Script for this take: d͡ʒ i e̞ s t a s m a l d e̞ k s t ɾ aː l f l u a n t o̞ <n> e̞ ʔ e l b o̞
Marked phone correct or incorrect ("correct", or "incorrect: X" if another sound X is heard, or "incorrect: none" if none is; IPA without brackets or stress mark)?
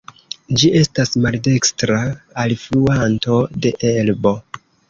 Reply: incorrect: d